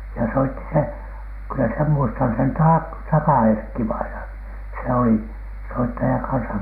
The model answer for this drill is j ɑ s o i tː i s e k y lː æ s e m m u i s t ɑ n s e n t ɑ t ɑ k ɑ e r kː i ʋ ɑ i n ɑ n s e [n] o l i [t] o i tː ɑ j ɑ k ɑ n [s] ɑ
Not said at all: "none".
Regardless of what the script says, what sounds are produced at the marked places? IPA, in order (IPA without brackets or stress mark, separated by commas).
none, s, s